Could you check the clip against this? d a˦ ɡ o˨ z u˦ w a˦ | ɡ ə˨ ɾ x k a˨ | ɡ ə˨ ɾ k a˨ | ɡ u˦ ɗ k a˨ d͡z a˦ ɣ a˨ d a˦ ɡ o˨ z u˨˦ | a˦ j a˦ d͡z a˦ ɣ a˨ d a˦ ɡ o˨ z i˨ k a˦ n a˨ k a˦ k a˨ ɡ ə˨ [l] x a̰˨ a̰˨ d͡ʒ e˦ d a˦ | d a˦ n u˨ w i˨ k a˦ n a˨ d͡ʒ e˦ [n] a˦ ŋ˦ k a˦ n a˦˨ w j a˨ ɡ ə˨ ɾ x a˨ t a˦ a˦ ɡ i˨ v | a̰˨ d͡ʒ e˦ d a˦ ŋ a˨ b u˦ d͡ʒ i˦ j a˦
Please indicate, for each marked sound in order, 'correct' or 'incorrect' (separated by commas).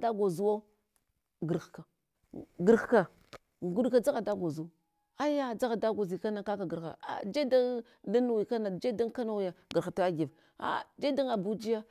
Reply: incorrect, incorrect